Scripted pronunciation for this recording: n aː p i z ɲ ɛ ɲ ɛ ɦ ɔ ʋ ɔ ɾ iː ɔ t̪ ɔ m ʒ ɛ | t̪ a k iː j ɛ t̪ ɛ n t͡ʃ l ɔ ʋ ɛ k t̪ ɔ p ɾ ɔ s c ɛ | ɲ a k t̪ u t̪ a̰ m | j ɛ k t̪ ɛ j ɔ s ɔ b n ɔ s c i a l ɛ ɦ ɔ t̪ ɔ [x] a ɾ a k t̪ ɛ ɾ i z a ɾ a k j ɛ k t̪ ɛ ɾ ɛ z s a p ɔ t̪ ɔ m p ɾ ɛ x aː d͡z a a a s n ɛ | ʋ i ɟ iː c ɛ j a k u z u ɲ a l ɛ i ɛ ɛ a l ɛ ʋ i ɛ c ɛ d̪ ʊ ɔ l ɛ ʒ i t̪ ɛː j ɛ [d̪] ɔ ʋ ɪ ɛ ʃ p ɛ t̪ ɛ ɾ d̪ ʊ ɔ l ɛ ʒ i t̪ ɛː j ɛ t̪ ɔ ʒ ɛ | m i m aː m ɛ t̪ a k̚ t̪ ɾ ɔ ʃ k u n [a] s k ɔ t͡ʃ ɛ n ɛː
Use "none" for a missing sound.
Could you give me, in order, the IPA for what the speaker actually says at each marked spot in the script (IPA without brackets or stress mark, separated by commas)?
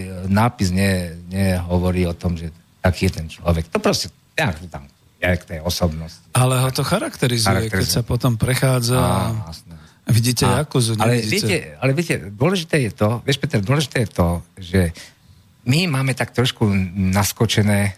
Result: x, t̪, a